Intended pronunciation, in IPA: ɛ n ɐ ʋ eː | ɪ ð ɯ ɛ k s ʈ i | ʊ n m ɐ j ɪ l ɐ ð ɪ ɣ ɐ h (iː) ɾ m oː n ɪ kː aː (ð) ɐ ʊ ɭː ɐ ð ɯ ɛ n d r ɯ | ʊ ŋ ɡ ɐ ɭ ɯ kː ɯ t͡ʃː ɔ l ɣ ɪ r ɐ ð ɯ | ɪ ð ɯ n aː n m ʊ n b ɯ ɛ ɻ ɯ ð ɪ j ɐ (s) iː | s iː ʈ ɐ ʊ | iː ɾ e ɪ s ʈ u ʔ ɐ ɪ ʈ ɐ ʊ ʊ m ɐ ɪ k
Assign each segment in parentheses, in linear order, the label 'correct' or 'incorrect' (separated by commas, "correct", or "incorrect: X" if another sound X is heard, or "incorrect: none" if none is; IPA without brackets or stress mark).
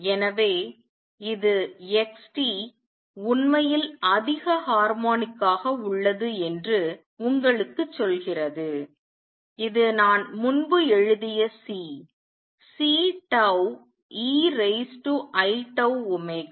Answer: incorrect: aː, incorrect: ɣ, correct